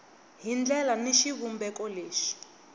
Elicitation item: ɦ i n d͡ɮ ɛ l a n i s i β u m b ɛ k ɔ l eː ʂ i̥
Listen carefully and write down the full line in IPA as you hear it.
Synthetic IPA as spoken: ɦ i n d͡ɮ ɛ l a n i ʃ i β u m b ɛ k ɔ l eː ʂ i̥